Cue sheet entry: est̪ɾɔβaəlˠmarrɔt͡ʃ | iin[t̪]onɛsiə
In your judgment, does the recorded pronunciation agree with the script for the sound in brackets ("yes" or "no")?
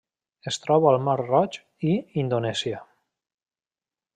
no